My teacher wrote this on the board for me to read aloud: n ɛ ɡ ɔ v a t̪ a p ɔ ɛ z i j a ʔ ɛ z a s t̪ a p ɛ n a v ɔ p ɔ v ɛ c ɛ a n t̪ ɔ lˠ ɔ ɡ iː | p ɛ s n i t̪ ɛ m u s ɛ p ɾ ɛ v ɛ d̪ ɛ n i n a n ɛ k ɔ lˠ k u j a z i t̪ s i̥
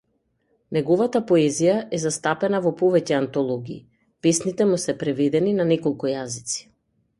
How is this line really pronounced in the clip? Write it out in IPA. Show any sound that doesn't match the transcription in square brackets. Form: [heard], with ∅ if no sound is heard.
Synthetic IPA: n ɛ ɡ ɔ v a t̪ a p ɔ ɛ z i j a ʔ ɛ z a s t̪ a p ɛ n a v ɔ p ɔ v ɛ c ɛ a n t̪ ɔ lˠ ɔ ɡ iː | p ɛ s n i t̪ ɛ m u s ɛ p ɾ ɛ v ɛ d̪ ɛ n i n a n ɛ k ɔ lˠ k u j a z i t̪ s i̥